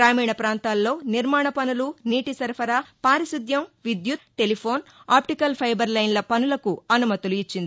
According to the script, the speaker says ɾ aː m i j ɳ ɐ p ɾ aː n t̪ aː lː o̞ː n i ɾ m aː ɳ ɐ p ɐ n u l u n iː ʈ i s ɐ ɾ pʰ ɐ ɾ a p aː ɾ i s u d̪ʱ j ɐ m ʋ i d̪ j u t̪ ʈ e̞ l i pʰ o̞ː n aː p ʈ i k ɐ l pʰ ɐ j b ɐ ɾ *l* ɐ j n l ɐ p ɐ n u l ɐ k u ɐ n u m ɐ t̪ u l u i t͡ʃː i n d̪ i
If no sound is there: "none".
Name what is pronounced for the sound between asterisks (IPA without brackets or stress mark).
l